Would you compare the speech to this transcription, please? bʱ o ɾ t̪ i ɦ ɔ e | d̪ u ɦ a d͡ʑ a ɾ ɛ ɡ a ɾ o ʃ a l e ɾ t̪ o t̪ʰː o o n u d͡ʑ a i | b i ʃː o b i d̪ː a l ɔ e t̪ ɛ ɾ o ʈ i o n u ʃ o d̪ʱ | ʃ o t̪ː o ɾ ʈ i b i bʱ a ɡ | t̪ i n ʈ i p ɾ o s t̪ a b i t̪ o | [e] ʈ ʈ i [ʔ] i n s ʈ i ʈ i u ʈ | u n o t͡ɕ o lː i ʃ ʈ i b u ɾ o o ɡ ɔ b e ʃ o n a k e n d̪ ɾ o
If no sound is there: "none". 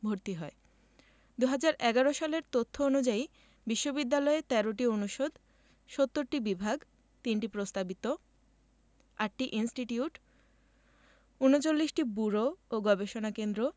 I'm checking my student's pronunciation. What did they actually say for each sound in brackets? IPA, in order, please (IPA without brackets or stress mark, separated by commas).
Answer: a, ʔ